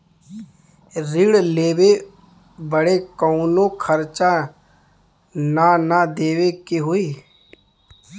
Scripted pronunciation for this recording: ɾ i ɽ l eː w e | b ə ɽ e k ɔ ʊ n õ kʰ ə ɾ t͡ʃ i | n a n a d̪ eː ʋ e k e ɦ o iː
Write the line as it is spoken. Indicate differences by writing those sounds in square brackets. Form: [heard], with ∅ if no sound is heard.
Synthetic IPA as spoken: ɾ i ɽ l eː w e | b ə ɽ e k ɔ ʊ n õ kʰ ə ɾ t͡ʃ [a] | n a n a d̪ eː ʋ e k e ɦ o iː